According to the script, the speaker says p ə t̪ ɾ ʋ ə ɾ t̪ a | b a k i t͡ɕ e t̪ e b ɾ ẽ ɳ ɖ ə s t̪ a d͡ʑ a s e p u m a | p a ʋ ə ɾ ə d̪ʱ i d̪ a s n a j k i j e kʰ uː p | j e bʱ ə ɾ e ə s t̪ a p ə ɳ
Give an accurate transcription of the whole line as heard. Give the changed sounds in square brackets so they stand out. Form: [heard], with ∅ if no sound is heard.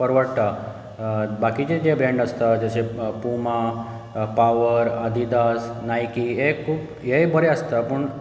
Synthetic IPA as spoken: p ə [∅] ɾ ʋ ə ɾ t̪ a | b a k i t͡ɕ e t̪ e b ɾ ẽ ɳ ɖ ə s t̪ a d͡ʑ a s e p u m a | p a ʋ ə ɾ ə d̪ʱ i d̪ a s n a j k i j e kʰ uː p | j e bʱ ə ɾ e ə s t̪ a p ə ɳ